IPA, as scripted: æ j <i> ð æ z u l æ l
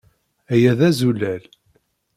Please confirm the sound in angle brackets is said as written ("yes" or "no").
no